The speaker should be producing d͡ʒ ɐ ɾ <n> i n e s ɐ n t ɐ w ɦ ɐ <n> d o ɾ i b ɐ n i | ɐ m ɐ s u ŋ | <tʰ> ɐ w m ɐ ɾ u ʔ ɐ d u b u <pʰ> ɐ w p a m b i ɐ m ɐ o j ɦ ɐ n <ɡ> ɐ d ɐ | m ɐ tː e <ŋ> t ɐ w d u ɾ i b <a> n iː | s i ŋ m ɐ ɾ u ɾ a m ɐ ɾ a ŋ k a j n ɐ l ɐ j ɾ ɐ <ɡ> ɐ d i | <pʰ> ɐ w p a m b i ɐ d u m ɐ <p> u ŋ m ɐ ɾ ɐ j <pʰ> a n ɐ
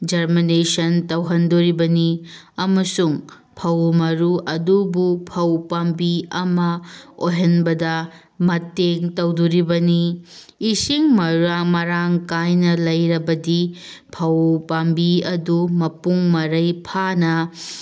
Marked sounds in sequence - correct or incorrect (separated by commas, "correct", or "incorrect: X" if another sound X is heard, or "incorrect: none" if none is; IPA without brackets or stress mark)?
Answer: incorrect: m, correct, incorrect: pʰ, correct, incorrect: b, correct, incorrect: ɐ, incorrect: b, correct, correct, correct